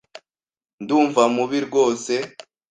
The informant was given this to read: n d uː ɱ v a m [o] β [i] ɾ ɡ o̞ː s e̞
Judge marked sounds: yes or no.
no, yes

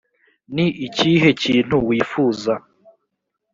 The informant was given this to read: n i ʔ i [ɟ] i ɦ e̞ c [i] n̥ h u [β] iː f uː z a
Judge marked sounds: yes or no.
no, no, no

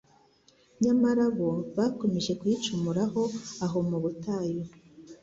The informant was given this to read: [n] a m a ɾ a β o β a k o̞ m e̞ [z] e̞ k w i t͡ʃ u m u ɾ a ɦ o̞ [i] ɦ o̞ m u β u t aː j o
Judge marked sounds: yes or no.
no, no, no

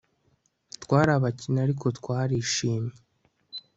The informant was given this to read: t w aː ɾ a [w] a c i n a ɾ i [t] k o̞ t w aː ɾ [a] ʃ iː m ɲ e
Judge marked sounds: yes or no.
no, no, no

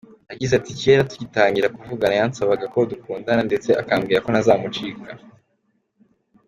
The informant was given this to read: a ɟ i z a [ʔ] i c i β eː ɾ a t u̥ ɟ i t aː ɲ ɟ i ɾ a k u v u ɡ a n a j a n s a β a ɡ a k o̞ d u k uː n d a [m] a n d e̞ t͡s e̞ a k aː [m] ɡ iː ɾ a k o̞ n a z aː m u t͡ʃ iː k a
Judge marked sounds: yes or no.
no, no, yes

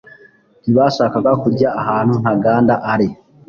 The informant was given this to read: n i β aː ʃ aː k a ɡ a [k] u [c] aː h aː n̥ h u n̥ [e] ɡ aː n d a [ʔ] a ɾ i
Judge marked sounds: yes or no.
yes, no, no, yes

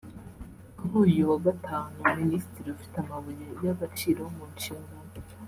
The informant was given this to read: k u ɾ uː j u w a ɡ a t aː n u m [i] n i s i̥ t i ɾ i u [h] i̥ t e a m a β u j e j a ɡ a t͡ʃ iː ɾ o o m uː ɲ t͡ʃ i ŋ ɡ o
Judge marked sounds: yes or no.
yes, no

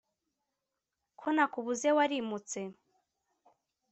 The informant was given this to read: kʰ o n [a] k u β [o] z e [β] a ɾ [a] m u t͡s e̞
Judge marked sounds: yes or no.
yes, no, no, no

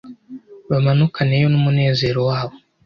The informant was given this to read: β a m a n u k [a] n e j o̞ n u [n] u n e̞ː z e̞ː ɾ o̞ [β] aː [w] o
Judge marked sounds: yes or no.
yes, no, no, no

